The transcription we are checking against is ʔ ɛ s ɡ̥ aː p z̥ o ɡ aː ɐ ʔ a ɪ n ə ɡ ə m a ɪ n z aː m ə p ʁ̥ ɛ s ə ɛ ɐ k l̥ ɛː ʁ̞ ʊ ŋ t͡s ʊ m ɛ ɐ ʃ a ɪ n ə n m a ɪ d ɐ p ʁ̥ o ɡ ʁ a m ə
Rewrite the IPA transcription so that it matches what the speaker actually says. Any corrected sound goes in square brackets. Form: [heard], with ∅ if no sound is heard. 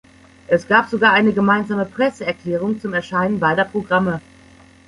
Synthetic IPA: ʔ ɛ s ɡ̥ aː p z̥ o ɡ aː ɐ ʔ a ɪ n ə ɡ ə m a ɪ n z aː m ə p ʁ̥ ɛ s ə ɛ ɐ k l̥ ɛː ʁ̞ ʊ ŋ t͡s ʊ m ɛ ɐ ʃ a ɪ n ə n [b] a ɪ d ɐ p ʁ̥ o ɡ ʁ a m ə